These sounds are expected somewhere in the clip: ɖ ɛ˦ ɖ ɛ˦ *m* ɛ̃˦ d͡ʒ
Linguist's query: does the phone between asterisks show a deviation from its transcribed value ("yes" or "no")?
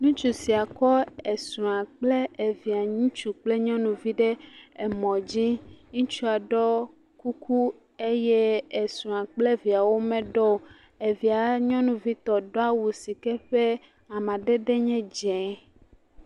yes